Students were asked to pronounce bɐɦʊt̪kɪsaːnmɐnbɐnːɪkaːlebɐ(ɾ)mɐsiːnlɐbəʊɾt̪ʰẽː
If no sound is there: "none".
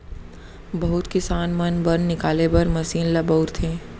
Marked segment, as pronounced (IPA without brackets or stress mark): ɾ